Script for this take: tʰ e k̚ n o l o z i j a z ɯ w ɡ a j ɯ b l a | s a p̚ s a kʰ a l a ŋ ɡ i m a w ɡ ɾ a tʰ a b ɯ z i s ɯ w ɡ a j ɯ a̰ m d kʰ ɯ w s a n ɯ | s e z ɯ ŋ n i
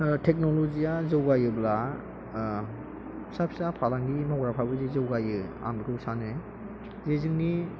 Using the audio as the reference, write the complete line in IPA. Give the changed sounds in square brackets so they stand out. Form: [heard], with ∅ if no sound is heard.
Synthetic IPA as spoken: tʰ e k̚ n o l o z i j a z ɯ w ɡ a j ɯ b l a | s a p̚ s a [pʰ] a l a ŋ ɡ i m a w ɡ ɾ a [pʰ] a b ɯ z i [z] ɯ w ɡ a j ɯ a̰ m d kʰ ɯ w s a n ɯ | [z] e z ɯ ŋ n i